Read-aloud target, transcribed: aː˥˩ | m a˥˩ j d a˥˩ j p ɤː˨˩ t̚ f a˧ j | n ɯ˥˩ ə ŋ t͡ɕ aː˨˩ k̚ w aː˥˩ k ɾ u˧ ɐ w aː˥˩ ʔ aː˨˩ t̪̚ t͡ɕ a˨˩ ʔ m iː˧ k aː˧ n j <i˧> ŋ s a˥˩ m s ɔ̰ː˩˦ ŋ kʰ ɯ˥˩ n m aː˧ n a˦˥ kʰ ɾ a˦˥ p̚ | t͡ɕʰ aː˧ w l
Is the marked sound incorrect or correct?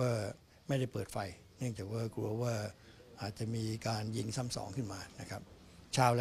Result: correct